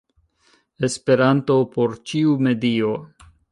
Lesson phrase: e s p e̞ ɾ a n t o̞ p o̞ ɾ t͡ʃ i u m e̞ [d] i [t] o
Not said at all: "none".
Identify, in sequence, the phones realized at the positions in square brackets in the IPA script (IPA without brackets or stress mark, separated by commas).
d, none